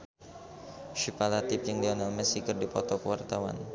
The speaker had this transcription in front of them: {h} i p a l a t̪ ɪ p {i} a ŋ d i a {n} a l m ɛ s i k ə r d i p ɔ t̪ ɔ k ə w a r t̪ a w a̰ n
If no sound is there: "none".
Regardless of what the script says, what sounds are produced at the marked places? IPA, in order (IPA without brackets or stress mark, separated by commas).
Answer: ʃ, j, n